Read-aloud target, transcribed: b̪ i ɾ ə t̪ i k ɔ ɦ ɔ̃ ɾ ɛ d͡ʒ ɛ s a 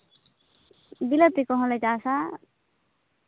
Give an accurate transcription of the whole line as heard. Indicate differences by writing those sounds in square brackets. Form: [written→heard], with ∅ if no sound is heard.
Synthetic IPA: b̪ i [ɾ→l] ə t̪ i k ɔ ɦ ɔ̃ [ɾ→l] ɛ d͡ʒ [ɛ→a] s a